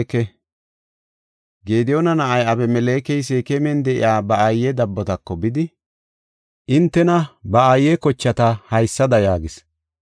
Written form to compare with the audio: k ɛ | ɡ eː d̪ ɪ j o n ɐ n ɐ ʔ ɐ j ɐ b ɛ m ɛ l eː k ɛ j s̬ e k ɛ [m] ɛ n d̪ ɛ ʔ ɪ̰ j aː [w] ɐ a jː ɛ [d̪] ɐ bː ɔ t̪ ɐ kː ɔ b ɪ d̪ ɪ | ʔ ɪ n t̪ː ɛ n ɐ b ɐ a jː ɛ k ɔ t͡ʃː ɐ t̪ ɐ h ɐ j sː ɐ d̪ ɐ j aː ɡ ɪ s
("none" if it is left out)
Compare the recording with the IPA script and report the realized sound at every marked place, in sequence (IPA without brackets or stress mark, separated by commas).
m, b, d̪